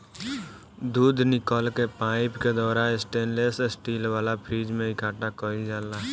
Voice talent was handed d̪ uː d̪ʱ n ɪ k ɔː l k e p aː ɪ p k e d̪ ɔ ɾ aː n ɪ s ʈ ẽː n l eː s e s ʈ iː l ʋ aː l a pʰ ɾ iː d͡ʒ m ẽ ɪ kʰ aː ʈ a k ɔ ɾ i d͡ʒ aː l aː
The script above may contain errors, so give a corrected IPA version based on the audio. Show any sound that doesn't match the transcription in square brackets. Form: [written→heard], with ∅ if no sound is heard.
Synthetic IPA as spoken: d̪ uː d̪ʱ n ɪ k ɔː l k e p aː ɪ p k e d̪ [ɔ→ɔː] ɾ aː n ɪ s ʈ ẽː n l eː s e s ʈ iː l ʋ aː l a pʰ ɾ iː d͡ʒ m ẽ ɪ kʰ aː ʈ a k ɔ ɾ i d͡ʒ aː l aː